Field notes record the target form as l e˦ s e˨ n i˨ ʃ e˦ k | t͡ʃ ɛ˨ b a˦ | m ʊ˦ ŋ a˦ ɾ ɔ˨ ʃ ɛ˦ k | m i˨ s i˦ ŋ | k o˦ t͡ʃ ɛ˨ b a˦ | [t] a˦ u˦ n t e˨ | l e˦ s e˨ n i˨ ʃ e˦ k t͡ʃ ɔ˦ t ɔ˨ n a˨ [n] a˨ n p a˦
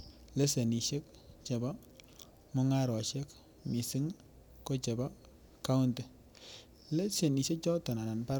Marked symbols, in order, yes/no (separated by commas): no, yes